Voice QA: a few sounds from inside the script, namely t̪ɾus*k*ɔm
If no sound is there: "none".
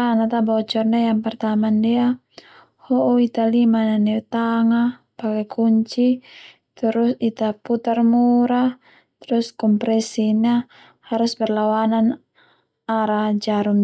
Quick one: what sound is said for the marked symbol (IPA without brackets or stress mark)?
k